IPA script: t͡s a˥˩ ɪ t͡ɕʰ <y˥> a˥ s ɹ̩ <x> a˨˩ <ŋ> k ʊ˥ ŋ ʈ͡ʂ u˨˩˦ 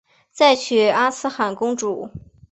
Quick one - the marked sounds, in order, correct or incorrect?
incorrect, correct, incorrect

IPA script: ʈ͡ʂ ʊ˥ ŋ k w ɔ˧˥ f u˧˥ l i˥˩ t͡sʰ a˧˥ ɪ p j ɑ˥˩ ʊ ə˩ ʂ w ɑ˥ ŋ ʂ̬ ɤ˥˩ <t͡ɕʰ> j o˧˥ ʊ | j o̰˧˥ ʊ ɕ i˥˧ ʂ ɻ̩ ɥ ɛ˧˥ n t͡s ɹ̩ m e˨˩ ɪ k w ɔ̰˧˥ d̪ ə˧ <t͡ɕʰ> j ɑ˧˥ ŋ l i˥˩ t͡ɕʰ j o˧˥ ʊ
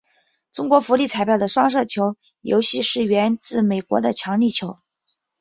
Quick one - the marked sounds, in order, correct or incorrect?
correct, correct

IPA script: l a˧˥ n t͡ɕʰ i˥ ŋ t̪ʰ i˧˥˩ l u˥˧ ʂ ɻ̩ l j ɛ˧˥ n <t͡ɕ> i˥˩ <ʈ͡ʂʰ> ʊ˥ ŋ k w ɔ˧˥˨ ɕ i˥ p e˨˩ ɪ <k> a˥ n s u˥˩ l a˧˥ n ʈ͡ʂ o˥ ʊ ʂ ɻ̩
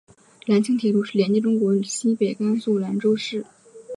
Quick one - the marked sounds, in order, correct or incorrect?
correct, incorrect, correct

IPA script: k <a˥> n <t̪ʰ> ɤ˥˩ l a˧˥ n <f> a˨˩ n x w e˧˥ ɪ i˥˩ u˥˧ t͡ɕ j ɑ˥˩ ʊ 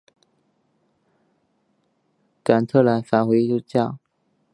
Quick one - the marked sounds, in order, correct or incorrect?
incorrect, correct, correct

